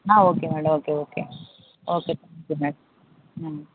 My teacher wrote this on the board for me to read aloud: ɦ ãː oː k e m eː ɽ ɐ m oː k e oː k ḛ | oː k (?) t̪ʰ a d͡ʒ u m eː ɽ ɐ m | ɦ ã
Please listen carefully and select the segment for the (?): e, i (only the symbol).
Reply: e